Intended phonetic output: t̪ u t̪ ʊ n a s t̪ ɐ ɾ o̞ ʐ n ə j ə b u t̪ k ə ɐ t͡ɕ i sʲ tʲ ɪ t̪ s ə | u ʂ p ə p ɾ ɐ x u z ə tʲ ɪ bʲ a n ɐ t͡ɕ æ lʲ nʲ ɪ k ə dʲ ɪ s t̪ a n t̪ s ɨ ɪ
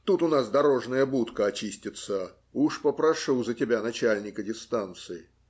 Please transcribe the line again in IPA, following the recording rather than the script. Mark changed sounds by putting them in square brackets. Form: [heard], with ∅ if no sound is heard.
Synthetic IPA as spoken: t̪ u t̪ ʊ n a s [d̪] ɐ ɾ o̞ ʐ n ə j ə b u t̪ k ə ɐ t͡ɕ i sʲ tʲ ɪ t̪ s ə | u ʂ p ə p ɾ ɐ [ʂ] u z ə tʲ ɪ bʲ a n ɐ t͡ɕ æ lʲ nʲ ɪ k ə dʲ ɪ s t̪ a n t̪ s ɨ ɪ